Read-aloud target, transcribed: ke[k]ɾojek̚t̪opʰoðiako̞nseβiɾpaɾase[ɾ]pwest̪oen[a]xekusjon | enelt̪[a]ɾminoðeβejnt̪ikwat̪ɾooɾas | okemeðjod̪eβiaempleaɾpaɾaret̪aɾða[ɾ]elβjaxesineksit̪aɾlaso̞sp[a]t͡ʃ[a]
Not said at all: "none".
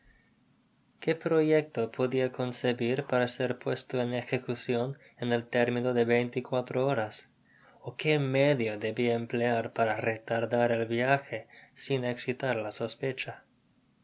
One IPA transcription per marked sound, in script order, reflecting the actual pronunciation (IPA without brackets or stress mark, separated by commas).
p, ɾ, e, e, ɾ, e, a